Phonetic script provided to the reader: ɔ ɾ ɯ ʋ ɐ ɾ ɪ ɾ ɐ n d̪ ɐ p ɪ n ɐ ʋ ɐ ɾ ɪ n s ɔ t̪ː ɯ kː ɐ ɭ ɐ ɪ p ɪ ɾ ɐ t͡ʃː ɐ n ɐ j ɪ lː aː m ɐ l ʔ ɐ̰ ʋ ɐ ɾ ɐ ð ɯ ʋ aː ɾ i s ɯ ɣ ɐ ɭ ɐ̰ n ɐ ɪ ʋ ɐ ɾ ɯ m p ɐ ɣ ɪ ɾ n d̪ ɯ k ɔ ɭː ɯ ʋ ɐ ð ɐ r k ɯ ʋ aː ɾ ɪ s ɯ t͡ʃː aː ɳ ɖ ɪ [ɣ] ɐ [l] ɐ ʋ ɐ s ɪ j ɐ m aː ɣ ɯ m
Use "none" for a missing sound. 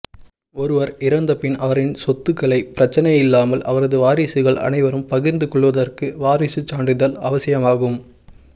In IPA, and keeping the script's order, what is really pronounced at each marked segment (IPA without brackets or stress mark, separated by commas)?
ð, l